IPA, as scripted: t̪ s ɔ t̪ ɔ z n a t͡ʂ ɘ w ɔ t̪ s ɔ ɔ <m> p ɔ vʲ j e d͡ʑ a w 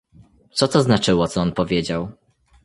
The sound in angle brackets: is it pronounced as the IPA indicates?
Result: no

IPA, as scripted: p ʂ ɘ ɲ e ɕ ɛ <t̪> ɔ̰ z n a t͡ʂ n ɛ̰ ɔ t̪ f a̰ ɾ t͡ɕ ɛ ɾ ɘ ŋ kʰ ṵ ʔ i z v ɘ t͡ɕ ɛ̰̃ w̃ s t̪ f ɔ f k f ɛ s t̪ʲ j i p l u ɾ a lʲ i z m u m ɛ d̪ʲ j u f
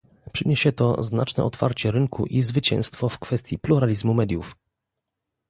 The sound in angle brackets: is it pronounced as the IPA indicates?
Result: yes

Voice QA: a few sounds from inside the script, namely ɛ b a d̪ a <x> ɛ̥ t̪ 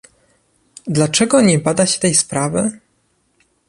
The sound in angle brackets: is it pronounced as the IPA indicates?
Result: no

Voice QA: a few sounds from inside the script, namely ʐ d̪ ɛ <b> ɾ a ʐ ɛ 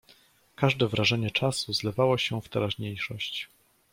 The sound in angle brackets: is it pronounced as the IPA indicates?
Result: no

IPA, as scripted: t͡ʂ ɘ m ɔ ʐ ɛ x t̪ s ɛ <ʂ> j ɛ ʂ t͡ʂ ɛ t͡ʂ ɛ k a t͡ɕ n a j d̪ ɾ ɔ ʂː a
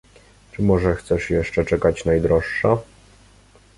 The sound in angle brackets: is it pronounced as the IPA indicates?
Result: yes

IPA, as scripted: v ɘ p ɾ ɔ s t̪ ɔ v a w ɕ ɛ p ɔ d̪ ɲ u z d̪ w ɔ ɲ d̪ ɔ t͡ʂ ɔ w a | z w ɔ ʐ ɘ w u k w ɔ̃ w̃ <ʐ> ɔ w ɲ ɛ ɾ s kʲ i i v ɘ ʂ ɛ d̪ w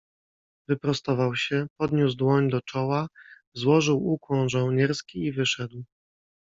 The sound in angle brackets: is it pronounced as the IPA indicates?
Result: yes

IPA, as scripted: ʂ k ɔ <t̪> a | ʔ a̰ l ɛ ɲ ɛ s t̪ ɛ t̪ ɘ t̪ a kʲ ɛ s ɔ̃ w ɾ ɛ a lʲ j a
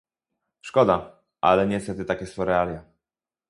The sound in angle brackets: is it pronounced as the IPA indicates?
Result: no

